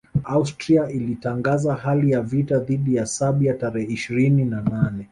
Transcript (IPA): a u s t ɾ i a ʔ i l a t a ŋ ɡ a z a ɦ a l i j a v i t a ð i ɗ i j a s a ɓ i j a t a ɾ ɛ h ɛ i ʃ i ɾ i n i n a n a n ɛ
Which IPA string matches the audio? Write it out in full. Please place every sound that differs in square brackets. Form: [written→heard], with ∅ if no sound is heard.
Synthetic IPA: a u s t ɾ i a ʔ i l [a→i] t a ŋ ɡ a z a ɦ a l i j a v i t a ð i ɗ i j a s a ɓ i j a t a ɾ ɛ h ɛ i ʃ i ɾ i n i n a n a n ɛ